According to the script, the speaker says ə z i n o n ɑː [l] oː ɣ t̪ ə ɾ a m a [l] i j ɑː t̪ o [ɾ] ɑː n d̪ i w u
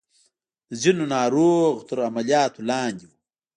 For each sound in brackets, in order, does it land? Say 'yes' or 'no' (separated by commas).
no, yes, no